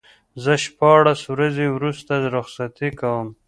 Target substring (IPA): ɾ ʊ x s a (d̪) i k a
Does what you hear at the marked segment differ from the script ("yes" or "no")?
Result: yes